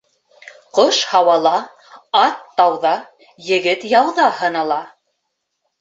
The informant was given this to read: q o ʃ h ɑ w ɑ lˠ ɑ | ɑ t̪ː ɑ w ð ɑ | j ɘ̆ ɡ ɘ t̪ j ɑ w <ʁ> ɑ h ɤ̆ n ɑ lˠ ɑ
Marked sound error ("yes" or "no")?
yes